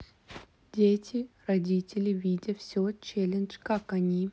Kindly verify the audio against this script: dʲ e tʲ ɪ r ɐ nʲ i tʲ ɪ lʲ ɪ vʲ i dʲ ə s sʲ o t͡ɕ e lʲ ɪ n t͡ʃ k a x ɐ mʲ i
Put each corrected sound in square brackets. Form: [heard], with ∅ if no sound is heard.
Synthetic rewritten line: dʲ e tʲ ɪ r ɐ [dʲ] i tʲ ɪ lʲ ɪ vʲ i dʲ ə [f] sʲ o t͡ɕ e lʲ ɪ n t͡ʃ k a [k] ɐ [nʲ] i